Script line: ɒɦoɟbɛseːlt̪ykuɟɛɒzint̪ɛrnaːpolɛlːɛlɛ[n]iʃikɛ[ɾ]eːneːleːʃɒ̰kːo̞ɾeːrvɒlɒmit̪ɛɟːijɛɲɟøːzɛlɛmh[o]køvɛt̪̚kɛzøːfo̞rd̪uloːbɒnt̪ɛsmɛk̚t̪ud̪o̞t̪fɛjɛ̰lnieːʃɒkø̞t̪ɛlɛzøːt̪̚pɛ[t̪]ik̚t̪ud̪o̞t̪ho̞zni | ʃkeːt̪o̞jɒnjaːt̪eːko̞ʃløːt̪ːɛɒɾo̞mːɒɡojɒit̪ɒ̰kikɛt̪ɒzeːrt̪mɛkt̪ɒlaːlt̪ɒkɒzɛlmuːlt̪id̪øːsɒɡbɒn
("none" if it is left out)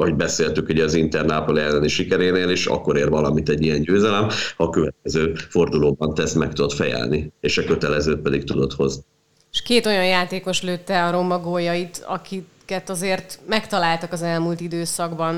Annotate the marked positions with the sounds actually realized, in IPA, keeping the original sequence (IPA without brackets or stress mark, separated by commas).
n, ɾ, ɒ, d̪